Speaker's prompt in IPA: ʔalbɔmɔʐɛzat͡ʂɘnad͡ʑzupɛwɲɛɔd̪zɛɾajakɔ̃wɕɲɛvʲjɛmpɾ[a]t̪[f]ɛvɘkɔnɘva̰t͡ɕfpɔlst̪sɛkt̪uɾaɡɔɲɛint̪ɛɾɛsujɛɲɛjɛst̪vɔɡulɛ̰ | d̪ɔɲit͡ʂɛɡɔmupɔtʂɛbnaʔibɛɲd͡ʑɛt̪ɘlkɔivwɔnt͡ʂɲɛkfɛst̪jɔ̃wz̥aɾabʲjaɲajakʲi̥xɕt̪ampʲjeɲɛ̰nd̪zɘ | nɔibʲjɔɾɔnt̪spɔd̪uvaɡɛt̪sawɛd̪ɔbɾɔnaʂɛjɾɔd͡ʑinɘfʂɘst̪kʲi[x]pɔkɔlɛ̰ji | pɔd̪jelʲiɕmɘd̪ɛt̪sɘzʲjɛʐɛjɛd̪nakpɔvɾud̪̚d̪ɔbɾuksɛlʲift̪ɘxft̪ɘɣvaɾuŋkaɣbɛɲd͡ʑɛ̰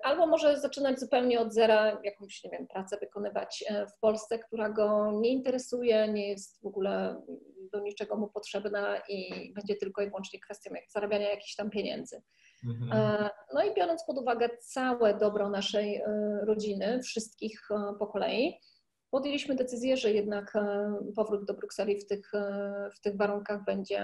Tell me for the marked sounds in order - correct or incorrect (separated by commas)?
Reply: correct, incorrect, correct